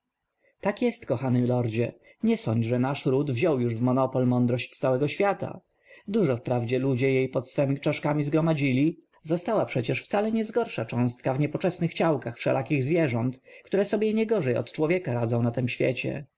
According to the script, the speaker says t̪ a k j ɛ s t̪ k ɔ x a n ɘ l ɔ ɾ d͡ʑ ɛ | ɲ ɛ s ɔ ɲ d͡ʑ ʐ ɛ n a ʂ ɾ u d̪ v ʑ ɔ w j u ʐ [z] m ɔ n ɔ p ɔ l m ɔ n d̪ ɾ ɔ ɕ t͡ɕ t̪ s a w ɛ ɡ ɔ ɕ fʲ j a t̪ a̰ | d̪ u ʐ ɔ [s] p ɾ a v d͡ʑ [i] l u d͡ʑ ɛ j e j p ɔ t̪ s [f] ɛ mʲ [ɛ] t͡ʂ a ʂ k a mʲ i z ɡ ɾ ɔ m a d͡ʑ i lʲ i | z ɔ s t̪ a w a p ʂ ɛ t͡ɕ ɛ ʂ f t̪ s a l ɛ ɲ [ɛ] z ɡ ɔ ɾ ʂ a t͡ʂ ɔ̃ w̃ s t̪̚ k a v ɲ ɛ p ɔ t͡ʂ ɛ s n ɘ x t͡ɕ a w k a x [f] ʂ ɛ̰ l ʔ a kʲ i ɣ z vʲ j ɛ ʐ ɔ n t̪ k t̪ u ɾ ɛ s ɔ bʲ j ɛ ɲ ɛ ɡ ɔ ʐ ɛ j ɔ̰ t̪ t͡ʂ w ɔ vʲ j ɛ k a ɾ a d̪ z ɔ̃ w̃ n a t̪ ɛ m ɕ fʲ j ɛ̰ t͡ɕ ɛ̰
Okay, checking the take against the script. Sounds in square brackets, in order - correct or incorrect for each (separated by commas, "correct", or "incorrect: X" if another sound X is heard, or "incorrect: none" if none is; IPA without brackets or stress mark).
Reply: incorrect: v, incorrect: f, incorrect: ɛ, correct, incorrect: i, correct, correct